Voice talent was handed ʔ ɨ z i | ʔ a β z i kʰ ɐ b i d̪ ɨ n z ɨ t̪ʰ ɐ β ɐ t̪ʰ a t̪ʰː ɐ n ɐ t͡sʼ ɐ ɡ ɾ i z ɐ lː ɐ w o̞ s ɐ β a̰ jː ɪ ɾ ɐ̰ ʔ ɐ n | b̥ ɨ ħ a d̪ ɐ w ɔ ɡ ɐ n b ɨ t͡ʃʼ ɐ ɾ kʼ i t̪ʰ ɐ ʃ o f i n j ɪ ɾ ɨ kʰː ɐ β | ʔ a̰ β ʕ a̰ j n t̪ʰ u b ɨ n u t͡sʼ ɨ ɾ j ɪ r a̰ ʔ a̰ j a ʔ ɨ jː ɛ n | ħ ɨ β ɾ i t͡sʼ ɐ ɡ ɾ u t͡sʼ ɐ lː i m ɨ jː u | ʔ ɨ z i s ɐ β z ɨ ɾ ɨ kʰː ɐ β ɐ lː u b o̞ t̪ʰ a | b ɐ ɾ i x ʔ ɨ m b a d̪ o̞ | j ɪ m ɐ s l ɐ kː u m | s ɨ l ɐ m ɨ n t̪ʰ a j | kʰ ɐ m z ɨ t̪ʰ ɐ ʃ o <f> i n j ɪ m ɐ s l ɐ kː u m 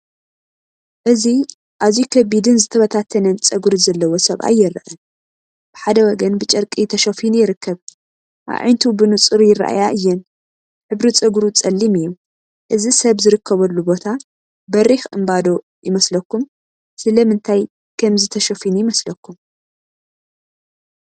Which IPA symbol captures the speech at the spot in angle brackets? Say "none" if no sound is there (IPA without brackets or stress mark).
f